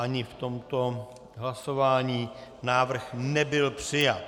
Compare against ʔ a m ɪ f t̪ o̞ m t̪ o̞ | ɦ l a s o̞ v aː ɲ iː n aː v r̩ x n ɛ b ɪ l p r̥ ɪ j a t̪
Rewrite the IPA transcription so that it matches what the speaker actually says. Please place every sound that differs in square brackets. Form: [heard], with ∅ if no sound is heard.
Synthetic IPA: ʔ a [ɲ] ɪ f t̪ o̞ m t̪ o̞ | ɦ l a s o̞ v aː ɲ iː n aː v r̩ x n ɛ b ɪ l p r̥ ɪ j a t̪